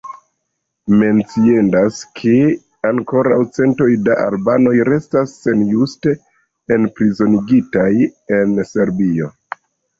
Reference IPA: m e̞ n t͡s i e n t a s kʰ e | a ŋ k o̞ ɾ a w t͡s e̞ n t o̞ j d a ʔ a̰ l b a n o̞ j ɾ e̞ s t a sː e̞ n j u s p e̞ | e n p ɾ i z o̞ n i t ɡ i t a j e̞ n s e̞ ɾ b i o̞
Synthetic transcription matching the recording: m e̞ n t͡s i e n d a s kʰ e | a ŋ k o̞ ɾ a w t͡s e̞ n t o̞ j d a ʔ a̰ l b a n o̞ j ɾ e̞ s t a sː e̞ n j u s t e̞ | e n p ɾ i z o̞ n i ɡ i t a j e̞ n s e̞ ɾ b i o̞